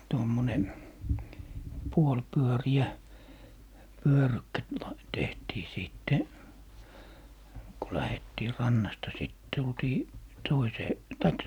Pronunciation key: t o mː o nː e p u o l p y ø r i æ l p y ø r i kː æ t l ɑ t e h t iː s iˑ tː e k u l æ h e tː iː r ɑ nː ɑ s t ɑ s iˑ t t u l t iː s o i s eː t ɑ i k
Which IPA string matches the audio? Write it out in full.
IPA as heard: t o mː o n e p u o l p y ø r i æ p y ø r y kː æ t l ɑ t e h t iː s iˑ tː e k u l æ h e tː iː r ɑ nː ɑ s t ɑ s iˑ t t u l t iː t o i s eː t ɑ i k